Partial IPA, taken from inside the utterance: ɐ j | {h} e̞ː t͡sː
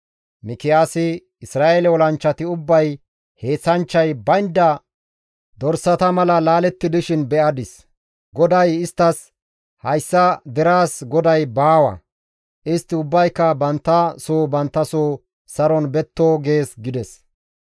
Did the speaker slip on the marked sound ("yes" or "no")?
no